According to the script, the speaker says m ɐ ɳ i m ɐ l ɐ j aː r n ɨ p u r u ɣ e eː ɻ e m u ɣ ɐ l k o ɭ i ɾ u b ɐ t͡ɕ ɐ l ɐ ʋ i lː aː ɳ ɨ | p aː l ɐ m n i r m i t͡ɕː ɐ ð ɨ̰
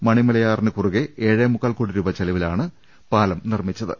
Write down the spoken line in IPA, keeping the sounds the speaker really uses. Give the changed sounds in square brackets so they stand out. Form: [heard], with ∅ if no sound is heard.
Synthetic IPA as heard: m ɐ ɳ i m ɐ l ɐ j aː r n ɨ [k] u r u ɣ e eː ɻ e m u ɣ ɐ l k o [ɽ] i ɾ u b ɐ t͡ɕ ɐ l ɐ ʋ i [l] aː ɳ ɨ | p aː l ɐ m n i r m i t͡ɕː ɐ ð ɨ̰